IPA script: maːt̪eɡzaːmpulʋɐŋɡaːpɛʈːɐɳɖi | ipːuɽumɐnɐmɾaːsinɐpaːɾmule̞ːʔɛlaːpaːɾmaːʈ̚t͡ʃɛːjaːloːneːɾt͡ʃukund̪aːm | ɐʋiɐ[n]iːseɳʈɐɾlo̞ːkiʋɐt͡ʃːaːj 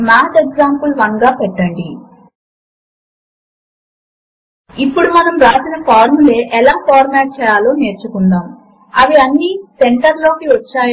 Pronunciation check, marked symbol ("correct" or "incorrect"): incorrect